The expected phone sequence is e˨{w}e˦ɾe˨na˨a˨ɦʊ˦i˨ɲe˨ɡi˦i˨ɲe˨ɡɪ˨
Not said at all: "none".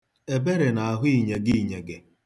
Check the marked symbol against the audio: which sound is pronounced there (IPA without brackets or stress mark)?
b